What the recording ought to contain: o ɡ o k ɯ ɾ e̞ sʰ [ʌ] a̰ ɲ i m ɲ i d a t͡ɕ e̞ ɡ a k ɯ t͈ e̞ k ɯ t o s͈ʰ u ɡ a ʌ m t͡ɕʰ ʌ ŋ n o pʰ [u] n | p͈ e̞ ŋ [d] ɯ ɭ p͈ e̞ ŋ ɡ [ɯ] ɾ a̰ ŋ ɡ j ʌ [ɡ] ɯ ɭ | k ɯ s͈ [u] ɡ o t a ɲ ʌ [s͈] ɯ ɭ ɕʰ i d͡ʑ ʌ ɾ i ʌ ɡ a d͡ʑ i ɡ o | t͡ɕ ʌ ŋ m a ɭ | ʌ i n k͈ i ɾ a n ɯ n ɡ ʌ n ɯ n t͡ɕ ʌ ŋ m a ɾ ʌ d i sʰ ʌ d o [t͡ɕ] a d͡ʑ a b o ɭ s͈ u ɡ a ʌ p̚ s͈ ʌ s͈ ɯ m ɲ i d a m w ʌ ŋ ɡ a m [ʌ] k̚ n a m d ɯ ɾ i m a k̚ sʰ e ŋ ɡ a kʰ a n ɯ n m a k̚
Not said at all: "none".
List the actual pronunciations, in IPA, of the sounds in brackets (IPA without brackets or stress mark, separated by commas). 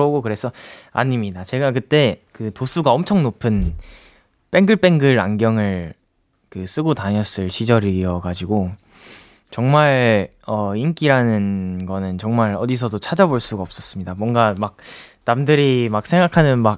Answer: ʌ, ɯ, ɡ, ɯ, ŋ, ɯ, s͈, t͡ɕʰ, a